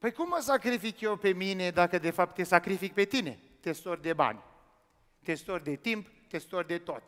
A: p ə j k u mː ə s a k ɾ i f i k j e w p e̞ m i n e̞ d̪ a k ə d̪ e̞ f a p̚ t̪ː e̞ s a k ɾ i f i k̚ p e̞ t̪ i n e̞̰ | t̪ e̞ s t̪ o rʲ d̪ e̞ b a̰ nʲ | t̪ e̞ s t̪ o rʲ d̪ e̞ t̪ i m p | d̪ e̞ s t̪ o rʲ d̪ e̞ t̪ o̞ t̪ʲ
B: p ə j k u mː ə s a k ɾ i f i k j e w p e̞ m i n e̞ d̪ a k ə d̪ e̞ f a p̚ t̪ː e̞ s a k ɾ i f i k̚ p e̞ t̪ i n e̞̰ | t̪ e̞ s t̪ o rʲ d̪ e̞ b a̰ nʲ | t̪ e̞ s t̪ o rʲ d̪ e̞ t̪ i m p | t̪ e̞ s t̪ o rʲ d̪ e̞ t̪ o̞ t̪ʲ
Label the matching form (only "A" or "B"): B